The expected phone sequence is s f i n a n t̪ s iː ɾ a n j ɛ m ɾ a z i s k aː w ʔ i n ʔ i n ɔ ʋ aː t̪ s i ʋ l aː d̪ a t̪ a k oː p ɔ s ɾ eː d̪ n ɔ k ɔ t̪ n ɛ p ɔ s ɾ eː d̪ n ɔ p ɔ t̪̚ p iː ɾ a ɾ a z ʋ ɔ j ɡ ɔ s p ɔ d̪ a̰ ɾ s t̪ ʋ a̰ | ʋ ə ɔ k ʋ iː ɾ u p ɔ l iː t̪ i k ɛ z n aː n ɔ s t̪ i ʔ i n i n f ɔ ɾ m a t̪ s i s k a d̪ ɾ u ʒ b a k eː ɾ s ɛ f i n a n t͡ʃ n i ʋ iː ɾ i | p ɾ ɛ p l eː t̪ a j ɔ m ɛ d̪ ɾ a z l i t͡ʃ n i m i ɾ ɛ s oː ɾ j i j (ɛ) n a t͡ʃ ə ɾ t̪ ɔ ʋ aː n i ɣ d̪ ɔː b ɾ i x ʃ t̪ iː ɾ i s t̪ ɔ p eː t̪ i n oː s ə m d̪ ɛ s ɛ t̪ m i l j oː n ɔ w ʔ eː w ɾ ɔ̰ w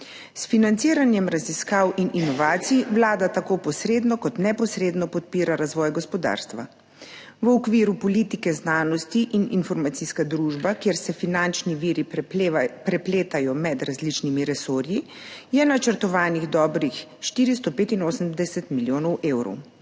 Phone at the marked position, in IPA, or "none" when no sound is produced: ɛ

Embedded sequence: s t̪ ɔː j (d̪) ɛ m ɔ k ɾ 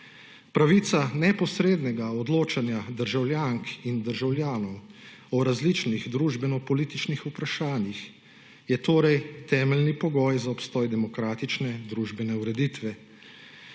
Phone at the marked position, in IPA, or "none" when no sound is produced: d̪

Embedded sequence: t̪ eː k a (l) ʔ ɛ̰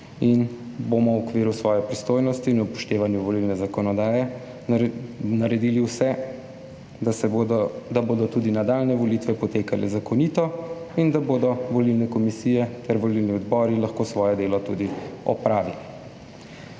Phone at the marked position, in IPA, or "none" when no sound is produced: l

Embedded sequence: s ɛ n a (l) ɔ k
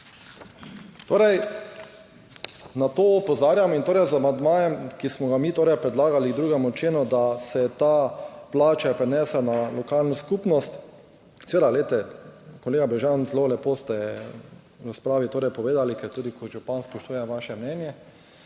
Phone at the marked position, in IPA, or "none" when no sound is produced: l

